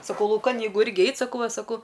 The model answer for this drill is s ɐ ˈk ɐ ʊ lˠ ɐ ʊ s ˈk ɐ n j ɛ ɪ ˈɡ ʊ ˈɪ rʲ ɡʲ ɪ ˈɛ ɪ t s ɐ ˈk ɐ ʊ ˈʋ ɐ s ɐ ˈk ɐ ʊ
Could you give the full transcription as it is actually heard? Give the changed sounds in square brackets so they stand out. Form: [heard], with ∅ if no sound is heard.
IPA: s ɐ ˈk ɐ ʊ lˠ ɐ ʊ [∅] ˈk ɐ n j ɛ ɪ ˈɡ ʊ ˈɪ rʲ ɡʲ ɪ ˈɛ ɪ t s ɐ ˈk ɐ ʊ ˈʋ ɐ s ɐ ˈk ɐ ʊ